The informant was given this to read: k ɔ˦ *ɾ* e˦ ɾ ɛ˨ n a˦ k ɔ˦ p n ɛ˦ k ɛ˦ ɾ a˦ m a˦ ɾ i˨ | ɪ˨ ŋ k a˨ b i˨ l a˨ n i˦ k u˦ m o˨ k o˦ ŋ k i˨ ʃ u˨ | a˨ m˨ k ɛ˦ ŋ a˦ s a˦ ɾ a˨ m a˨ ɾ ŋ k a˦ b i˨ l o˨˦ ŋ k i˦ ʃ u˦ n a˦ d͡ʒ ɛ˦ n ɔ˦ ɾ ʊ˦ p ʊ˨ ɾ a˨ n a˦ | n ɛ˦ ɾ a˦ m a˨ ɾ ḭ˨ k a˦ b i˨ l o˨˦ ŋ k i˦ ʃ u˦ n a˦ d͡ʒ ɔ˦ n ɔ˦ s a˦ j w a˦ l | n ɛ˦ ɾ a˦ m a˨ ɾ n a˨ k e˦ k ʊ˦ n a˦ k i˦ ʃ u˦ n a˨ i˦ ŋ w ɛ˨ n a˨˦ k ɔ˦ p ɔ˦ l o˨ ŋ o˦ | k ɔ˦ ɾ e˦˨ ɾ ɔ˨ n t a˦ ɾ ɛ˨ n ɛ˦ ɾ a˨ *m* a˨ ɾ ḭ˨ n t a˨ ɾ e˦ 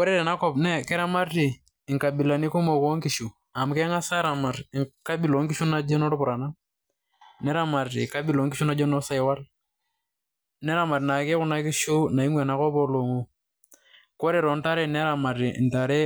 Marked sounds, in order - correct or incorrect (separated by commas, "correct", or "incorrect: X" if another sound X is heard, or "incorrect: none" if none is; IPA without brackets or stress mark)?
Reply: correct, correct